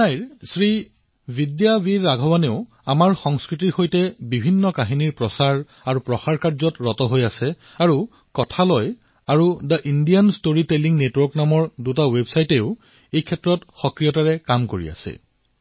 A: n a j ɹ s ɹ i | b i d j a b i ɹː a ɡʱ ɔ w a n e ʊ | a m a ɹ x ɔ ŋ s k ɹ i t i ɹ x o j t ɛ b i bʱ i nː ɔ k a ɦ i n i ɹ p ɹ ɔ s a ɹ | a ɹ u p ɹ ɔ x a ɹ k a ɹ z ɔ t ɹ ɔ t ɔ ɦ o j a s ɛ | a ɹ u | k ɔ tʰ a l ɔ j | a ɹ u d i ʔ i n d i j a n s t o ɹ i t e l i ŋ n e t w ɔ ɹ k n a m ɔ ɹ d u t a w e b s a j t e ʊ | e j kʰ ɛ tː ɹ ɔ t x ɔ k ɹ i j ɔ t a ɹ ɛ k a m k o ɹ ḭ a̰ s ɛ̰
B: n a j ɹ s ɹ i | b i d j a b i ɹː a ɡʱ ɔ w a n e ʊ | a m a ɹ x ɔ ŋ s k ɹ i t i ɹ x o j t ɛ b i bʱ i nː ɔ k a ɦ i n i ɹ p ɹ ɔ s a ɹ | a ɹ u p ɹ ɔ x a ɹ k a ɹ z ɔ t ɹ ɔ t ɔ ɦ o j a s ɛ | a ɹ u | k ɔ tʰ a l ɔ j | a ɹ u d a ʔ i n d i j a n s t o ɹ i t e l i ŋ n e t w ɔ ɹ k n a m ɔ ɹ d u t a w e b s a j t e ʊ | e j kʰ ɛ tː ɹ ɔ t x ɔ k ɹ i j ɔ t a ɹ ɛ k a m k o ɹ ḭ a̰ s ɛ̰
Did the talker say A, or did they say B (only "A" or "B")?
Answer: B